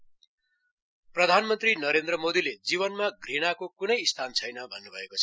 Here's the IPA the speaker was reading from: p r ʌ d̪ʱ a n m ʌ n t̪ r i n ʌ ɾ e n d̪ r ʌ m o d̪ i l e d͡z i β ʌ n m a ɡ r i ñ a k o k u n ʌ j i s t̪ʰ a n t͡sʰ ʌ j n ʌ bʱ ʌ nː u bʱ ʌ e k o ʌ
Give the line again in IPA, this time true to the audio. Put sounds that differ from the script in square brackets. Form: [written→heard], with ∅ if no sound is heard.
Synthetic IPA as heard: p r ʌ d̪ʱ a n m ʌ n t̪ r i n ʌ ɾ e n d̪ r ʌ m o d̪ i l e d͡z i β ʌ n m a ɡ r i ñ a k o k u n ʌ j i s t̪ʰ a n t͡sʰ ʌ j n ʌ bʱ ʌ nː u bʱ ʌ e k o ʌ